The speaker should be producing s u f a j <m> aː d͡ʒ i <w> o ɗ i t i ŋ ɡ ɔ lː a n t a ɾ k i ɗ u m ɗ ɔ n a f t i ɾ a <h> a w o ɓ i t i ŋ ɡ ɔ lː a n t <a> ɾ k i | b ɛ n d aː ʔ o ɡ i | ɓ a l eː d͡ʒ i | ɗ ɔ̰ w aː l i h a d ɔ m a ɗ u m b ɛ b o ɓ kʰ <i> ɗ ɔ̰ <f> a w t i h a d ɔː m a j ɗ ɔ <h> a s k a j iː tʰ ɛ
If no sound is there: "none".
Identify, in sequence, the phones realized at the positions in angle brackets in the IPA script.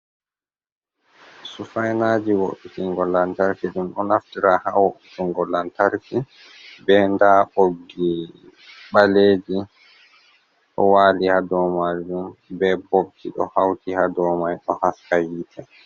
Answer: n, w, h, a, i, h, h

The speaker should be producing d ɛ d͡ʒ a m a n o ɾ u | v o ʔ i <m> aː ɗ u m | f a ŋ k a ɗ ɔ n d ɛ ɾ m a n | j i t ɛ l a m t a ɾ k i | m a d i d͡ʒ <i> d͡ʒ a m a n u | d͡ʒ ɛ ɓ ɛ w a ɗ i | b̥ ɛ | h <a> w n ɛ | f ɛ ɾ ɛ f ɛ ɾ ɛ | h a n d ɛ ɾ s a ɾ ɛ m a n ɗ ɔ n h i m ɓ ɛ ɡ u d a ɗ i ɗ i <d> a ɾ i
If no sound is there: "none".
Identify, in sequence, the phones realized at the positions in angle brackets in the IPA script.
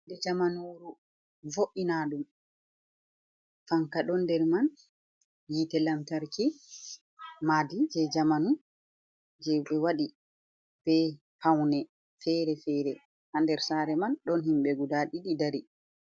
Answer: n, ɛ, a, d

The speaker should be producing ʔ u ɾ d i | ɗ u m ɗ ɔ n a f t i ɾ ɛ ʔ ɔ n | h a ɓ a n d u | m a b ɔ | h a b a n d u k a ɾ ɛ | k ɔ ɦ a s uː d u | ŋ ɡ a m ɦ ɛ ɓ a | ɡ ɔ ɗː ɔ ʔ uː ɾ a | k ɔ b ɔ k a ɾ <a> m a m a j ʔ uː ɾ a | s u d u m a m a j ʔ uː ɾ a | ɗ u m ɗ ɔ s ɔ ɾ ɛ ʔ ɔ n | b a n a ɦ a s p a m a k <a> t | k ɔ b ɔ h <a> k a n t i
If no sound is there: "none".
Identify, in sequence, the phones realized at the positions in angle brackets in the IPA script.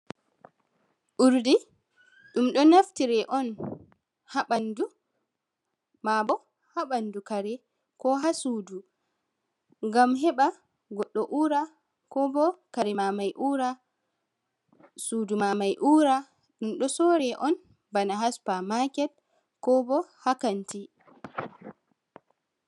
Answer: ɛ, ɛ, a

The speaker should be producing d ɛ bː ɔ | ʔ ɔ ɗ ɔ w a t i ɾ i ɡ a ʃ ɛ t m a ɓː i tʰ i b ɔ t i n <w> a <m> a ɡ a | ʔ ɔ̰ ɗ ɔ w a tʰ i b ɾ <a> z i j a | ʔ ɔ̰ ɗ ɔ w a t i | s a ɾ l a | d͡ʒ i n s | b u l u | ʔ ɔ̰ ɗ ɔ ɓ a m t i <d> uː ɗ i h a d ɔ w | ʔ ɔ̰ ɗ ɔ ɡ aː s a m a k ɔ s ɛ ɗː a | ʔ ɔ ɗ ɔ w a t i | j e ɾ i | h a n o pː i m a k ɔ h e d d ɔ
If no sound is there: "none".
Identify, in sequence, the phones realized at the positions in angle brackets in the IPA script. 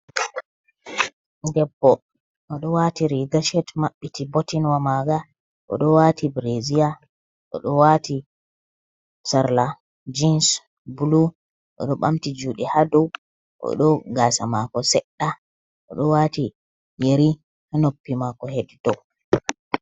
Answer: w, m, e, d͡ʒ

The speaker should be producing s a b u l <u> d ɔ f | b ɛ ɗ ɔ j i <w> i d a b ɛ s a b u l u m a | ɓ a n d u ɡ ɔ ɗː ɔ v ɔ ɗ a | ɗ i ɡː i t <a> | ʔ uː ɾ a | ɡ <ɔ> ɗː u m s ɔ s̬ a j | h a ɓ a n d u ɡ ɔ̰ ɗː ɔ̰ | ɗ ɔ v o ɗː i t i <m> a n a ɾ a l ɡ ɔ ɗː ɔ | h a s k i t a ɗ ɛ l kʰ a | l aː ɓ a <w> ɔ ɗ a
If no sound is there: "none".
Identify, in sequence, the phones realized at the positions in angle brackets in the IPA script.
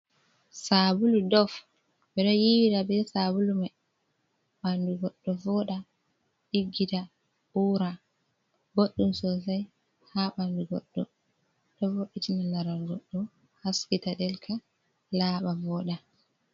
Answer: u, w, a, o, n, v

